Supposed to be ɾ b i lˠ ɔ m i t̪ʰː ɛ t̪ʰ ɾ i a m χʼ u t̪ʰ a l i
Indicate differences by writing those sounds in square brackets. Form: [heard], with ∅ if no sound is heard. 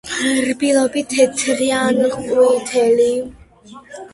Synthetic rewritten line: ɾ b i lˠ ɔ [b] i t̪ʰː ɛ t̪ʰ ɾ i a [n] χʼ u t̪ʰ [ɛ] l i